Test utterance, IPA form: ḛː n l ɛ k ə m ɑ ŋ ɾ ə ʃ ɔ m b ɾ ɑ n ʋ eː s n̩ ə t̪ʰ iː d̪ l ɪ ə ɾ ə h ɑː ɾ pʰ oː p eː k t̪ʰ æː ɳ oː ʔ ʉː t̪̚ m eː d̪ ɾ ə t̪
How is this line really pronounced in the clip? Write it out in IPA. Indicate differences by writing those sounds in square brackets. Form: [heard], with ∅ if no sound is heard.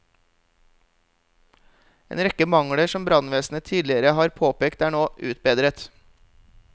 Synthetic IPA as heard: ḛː n [ɾ] ɛ k ə m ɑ ŋ [ɽ] ə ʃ ɔ m b ɾ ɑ n ʋ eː s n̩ ə t̪ʰ iː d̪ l ɪ ə ɾ ə h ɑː ɾ pʰ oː p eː k [t̪] æː ɳ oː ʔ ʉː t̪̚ [b] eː d̪ ɾ ə t̪

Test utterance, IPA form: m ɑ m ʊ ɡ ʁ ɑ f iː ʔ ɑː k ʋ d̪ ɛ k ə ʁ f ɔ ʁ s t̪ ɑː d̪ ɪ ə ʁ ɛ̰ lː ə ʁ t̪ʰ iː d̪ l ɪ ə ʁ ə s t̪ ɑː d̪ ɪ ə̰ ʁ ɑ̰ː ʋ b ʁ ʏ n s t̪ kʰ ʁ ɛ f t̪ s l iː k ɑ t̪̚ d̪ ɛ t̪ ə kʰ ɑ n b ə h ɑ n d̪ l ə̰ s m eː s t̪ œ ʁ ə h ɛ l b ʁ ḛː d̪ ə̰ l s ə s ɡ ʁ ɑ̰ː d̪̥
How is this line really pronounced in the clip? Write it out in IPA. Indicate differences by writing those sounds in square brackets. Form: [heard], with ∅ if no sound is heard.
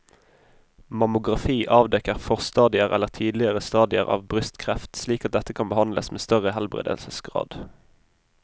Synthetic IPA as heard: m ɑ m ʊ ɡ ʁ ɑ f iː ʔ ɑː [∅] ʋ d̪ ɛ k ə ʁ f ɔ ʁ s t̪ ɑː d̪ ɪ ə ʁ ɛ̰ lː ə ʁ t̪ʰ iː d̪ l ɪ ə ʁ ə s t̪ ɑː d̪ ɪ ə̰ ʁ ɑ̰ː ʋ b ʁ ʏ [∅] s t̪ kʰ ʁ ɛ f t̪ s l iː k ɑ t̪̚ d̪ ɛ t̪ ə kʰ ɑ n b ə h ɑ n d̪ l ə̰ s m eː s t̪ œ ʁ ə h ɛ l b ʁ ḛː d̪ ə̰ l s ə s ɡ ʁ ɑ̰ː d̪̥

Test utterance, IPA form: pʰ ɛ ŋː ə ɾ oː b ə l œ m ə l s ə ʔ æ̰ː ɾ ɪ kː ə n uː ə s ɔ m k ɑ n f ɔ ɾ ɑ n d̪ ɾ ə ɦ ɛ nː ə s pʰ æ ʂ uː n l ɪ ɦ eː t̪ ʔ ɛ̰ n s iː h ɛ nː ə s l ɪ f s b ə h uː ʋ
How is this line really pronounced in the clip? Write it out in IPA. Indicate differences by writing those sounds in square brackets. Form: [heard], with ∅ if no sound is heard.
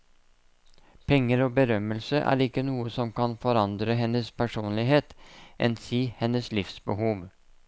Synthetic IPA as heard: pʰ ɛ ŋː ə ɾ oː b ə [ɾ] œ m ə l s ə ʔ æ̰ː ɾ ɪ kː ə n uː ə s ɔ m k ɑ n f ɔ ɾ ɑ n d̪ ɾ ə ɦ ɛ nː ə s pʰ æ ʂ uː n l ɪ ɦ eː t̪ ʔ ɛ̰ n s iː h ɛ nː ə s l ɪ f s b ə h uː ʋ

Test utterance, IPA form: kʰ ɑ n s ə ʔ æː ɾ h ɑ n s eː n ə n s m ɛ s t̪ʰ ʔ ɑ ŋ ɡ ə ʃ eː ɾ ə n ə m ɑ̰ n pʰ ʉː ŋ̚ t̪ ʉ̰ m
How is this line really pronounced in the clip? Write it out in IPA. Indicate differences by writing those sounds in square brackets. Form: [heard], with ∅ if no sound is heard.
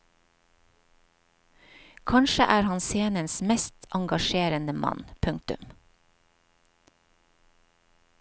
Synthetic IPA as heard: kʰ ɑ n [ʃ] ə ʔ æː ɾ h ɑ n s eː n ə n s m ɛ s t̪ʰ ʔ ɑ ŋ ɡ [ɑ] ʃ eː ɾ ə n ə m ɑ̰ n pʰ [ʉ] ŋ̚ t̪ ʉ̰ m

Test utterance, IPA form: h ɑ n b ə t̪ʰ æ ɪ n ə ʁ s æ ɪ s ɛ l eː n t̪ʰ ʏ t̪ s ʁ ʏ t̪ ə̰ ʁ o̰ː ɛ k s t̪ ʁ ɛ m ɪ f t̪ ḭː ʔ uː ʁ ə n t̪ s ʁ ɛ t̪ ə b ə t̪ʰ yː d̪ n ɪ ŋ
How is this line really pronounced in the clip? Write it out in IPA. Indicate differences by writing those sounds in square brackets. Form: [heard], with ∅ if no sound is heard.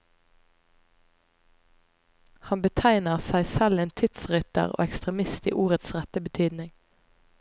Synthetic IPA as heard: h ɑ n b ə t̪ʰ æ ɪ n ə ʁ s æ ɪ s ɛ l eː n t̪ʰ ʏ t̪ s ʁ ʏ t̪ ə̰ ʁ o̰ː ɛ k s t̪ ʁ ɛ m ɪ [s] t̪ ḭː ʔ uː ʁ ə [∅] t̪ s ʁ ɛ t̪ ə b ə t̪ʰ yː d̪ n ɪ ŋ

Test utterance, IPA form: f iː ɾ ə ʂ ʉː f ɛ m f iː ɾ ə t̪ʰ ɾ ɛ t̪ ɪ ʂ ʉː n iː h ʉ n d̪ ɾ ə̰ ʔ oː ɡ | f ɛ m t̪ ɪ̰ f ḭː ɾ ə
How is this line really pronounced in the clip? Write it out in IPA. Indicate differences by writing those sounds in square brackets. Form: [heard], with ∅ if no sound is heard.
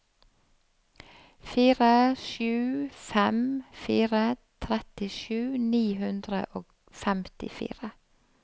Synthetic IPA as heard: f iː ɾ ə [ʃ] ʉː f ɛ m f iː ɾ ə t̪ʰ ɾ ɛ t̪ ɪ [ʃ] ʉː n iː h ʉ n d̪ ɾ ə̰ ʔ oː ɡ | f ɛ m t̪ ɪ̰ f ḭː ɾ ə

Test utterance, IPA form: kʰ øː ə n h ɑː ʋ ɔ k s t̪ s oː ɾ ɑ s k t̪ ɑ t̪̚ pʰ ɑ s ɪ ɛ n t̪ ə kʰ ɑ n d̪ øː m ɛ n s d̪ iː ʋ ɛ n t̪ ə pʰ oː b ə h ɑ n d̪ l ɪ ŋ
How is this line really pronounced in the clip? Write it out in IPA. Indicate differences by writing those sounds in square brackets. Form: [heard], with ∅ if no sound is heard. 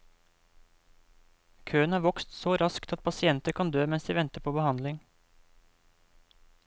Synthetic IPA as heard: kʰ øː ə n h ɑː ʋ ɔ k s t̪ s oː ɾ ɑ s k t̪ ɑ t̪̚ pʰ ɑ s ɪ ɛ n t̪ ə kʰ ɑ n d̪ øː m ɛ n s d̪ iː ʋ ɛ n t̪ ə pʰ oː b ə h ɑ n d̪ l ɪ ŋ

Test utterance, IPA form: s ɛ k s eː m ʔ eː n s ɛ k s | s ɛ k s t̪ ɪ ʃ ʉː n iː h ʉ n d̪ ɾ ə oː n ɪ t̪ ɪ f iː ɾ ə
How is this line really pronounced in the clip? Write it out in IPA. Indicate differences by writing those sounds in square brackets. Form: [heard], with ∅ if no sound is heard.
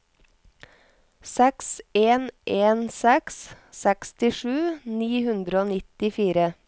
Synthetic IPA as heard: s ɛ k s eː [n] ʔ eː n s ɛ k s | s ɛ k s t̪ ɪ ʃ ʉː n iː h ʉ n d̪ ɾ ə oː n ɪ t̪ ɪ f iː ɾ ə

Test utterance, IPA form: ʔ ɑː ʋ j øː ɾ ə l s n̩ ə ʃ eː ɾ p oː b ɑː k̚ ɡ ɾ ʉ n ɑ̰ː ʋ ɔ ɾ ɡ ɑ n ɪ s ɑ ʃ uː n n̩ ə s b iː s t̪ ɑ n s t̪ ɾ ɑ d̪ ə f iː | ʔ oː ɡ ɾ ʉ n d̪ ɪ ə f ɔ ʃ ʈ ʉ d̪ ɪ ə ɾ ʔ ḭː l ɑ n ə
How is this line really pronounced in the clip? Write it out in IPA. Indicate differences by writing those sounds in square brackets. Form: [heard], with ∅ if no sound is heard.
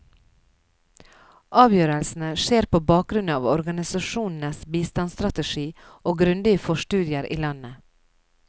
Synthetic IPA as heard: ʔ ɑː ʋ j øː ɾ ə l s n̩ ə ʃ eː ɾ p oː b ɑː k̚ ɡ ɾ ʉ n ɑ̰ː ʋ ɔ ɾ ɡ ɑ n ɪ s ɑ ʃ uː n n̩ ə s b iː s t̪ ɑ n s t̪ ɾ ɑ [t̪] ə [ʃ] iː | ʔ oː ɡ ɾ ʉ n d̪ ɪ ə f ɔ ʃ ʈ [ʉː] d̪ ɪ ə ɾ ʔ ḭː l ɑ n ə

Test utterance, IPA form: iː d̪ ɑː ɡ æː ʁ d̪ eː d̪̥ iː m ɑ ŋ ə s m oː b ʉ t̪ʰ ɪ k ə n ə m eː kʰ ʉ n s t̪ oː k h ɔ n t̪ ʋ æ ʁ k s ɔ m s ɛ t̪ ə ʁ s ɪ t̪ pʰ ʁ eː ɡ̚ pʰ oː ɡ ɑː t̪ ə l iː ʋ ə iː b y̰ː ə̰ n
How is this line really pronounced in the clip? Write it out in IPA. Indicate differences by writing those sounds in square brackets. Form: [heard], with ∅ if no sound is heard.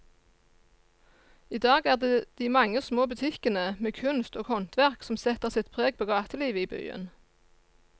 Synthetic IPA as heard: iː d̪ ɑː ɡ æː ʁ d̪ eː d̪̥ iː m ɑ ŋ ə s m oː b ʉ t̪ʰ ɪ k ə n ə m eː kʰ ʉ n s t̪ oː [ɡ] h ɔ n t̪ ʋ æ ʁ k s ɔ m s ɛ t̪ ə ʁ s ɪ t̪ pʰ ʁ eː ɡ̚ pʰ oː ɡ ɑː t̪ ə l iː ʋ ə iː b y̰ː ə̰ n

